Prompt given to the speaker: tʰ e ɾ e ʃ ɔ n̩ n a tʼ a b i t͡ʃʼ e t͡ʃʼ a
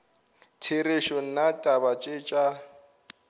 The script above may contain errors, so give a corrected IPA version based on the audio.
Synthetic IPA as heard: tʰ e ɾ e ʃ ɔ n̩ n a tʼ a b a t͡ʃʼ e t͡ʃʼ a